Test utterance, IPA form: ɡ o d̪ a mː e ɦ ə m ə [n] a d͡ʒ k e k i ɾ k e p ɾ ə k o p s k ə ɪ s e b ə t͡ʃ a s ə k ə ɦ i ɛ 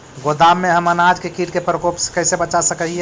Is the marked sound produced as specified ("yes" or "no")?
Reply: yes